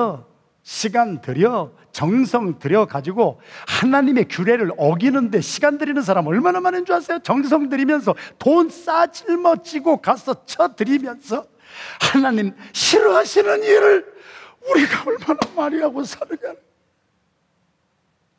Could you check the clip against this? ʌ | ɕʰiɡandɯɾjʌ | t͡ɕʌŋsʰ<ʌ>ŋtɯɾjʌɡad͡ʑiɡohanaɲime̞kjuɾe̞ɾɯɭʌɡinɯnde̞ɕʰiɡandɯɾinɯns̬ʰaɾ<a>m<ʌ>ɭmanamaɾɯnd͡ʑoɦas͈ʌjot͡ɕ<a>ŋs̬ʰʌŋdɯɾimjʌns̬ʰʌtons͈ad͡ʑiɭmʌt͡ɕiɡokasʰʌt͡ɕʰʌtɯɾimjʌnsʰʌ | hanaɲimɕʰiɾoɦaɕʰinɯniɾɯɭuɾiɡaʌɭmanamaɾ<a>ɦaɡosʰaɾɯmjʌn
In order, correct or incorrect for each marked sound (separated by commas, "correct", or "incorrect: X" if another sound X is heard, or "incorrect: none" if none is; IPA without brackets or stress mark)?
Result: correct, correct, correct, incorrect: ʌ, incorrect: i